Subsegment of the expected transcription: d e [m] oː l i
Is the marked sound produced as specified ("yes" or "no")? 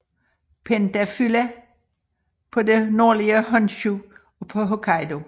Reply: no